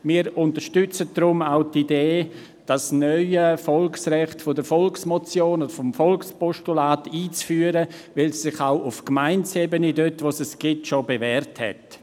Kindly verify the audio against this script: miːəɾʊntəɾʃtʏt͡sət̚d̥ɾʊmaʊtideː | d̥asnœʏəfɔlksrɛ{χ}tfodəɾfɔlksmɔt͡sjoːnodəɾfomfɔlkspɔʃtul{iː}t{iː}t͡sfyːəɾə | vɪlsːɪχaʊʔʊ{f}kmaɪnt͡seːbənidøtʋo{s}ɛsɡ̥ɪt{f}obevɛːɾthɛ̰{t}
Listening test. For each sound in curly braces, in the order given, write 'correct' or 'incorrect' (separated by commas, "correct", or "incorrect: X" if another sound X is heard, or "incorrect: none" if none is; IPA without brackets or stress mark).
correct, incorrect: aː, correct, correct, correct, incorrect: ʃ, correct